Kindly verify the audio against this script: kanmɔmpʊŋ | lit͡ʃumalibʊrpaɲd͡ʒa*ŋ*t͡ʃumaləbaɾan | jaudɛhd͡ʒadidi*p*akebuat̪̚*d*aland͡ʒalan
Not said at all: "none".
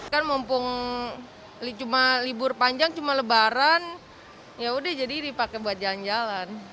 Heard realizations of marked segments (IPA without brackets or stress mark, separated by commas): ŋ, p, d͡ʒ